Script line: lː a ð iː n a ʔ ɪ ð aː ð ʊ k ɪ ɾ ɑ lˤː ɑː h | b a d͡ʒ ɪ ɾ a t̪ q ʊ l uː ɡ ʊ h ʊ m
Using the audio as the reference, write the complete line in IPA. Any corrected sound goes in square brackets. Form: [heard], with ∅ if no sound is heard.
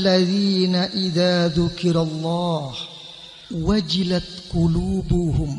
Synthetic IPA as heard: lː a ð iː n a ʔ ɪ ð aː ð ʊ k ɪ ɾ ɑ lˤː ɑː h | [w] a d͡ʒ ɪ [l] a t̪ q ʊ l uː [b] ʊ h ʊ m